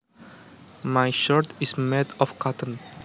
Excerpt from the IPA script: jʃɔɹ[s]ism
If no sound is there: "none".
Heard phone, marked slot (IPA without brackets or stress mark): t